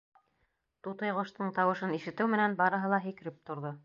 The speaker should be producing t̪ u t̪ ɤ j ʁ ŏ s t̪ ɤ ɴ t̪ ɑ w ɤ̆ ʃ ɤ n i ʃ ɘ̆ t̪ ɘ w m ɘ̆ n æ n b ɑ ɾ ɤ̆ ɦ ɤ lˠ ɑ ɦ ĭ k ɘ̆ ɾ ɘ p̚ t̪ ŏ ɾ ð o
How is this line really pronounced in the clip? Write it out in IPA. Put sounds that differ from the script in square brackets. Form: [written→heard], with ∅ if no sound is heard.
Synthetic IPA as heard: t̪ u t̪ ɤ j ʁ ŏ [s→ʃ] t̪ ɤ ɴ t̪ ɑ w ɤ̆ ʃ ɤ n i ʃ ɘ̆ t̪ ɘ w m ɘ̆ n æ n b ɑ ɾ ɤ̆ ɦ ɤ lˠ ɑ ɦ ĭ k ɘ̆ ɾ ɘ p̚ t̪ ŏ ɾ ð o